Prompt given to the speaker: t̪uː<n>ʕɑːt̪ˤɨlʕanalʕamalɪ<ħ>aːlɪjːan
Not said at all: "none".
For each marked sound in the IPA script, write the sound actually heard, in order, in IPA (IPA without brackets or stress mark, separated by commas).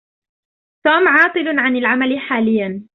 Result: m, ħ